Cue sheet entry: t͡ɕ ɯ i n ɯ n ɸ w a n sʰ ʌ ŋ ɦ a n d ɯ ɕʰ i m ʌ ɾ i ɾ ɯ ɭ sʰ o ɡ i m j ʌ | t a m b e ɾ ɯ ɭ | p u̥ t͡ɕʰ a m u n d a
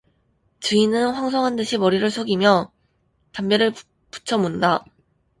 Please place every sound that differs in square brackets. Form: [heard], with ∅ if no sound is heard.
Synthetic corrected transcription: t͡ɕ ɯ i n ɯ n ɸ w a [ŋ] sʰ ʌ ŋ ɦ a n d ɯ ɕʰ i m ʌ ɾ i ɾ ɯ ɭ sʰ o ɡ i m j ʌ | t a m b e ɾ ɯ ɭ | p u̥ t͡ɕʰ [ʌ] m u n d a